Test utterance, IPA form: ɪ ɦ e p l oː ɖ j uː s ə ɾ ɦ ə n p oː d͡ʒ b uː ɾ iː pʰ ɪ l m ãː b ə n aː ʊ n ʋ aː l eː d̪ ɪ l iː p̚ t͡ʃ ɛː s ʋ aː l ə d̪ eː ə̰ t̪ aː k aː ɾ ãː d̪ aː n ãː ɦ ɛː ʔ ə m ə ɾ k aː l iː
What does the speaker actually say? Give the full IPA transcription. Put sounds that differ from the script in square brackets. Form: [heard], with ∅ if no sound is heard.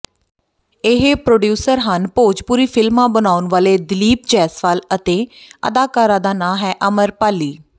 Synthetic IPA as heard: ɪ ɦ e p [ɾ] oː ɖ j uː s ə ɾ ɦ ə n p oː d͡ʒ [p] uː ɾ iː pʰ ɪ l m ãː b ə n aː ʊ n ʋ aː l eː d̪ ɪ l iː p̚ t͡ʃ ɛː s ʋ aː l ə [t̪] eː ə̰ [d̪] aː k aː ɾ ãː d̪ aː n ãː ɦ ɛː ʔ ə m ə ɾ [p] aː l iː